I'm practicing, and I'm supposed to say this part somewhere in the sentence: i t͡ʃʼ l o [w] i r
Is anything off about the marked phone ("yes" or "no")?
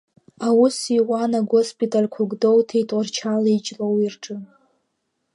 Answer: no